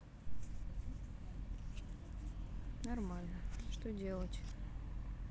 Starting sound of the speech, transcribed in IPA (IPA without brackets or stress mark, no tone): n